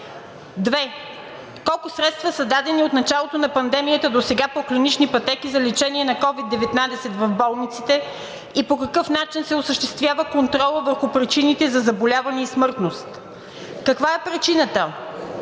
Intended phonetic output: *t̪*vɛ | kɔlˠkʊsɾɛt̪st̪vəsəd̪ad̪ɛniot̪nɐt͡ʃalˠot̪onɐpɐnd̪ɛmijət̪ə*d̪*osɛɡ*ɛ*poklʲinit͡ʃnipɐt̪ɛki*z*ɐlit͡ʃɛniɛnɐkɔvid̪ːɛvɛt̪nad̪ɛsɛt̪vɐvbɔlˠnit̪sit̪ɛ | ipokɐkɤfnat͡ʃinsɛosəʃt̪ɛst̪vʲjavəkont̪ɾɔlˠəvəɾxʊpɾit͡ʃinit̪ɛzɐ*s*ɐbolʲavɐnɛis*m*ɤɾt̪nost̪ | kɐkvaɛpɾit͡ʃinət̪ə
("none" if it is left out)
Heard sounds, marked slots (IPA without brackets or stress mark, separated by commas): d̪, d̪, a, z, z, m